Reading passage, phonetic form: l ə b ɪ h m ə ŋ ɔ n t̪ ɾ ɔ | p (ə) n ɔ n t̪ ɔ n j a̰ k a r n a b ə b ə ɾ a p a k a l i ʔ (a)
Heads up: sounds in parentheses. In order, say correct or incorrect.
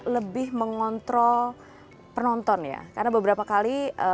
correct, incorrect: ə

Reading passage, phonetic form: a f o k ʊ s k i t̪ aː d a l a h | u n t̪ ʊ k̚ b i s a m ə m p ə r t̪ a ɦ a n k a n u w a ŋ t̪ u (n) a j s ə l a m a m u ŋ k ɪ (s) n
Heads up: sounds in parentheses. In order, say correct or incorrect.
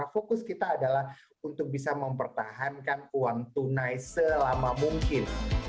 correct, incorrect: none

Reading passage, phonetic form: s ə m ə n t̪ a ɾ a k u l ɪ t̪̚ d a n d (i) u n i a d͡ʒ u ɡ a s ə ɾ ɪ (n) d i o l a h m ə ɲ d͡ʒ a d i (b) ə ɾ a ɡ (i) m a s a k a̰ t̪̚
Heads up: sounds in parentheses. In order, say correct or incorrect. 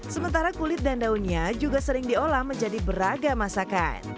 incorrect: a, incorrect: ŋ, correct, incorrect: a

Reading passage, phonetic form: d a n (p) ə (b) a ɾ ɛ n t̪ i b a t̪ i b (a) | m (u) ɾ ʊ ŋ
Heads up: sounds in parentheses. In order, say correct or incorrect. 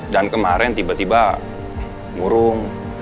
incorrect: k, incorrect: m, correct, correct

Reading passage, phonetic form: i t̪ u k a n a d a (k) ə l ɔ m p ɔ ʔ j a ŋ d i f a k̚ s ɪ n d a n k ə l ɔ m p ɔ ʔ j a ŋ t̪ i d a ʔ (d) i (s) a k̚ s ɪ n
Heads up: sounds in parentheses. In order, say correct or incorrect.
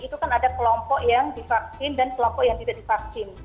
correct, correct, incorrect: f

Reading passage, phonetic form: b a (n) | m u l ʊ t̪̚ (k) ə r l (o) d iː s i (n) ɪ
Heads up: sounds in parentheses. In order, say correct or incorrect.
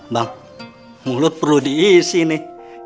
incorrect: ŋ, incorrect: p, incorrect: u, correct

